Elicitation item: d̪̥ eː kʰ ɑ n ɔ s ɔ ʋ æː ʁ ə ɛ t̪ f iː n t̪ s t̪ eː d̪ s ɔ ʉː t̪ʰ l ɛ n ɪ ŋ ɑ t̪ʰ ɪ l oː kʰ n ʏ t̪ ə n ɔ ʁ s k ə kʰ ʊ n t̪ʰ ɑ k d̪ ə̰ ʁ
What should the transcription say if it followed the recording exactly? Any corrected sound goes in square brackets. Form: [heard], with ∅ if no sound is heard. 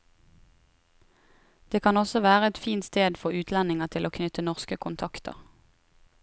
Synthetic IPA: d̪̥ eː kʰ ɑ n ɔ s ɔ ʋ æː ʁ ə ɛ t̪ f iː n t̪ s t̪ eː d̪ [f] ɔ ʉː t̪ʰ l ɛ n ɪ ŋ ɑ t̪ʰ ɪ l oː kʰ n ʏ t̪ ə n ɔ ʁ s k ə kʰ ʊ n t̪ʰ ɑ k [t̪] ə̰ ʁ